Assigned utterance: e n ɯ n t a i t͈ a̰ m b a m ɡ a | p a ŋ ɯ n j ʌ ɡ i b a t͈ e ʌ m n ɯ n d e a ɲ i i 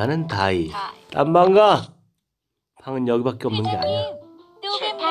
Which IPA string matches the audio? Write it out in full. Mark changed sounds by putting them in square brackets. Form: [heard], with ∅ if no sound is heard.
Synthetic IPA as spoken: [a] n ɯ n t a i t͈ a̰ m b a [ŋ] ɡ a | [pʰ] a ŋ ɯ n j ʌ ɡ i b a [k͈] e ʌ m n ɯ n [ɡ] e a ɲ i [a]